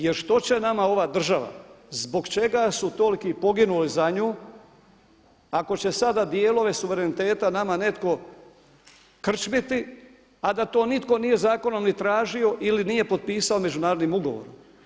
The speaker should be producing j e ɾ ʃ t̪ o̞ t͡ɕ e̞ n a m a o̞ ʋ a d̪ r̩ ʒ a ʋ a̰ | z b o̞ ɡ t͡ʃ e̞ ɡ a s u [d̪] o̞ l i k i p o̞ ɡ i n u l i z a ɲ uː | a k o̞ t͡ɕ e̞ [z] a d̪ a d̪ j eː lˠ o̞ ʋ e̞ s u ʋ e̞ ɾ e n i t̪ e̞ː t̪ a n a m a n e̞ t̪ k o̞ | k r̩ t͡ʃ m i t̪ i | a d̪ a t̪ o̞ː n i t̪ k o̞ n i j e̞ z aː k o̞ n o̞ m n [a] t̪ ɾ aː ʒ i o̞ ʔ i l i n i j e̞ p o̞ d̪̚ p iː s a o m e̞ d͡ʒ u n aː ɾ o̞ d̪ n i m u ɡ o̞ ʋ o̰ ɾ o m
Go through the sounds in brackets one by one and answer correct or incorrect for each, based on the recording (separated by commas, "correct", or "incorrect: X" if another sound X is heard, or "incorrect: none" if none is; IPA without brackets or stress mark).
incorrect: t̪, incorrect: s, incorrect: i